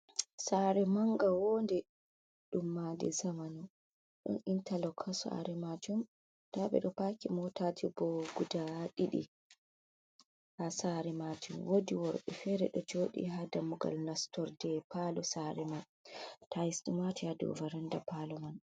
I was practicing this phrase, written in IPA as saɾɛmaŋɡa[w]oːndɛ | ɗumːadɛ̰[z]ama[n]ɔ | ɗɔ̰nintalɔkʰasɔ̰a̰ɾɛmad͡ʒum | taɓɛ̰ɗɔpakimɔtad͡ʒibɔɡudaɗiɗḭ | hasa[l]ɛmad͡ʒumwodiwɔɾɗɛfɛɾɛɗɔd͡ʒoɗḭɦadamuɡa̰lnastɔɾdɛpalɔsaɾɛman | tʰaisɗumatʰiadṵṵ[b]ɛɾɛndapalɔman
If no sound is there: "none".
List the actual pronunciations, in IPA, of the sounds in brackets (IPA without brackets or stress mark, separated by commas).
w, z, n, ɾ, v